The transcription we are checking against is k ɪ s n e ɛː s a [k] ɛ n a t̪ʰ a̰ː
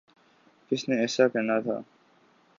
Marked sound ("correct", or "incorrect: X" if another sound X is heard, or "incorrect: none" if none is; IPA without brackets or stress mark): correct